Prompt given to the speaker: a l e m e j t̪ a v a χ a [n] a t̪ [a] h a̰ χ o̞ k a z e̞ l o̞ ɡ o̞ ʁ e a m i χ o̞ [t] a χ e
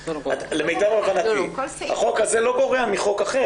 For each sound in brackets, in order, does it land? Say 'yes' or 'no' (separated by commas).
yes, no, no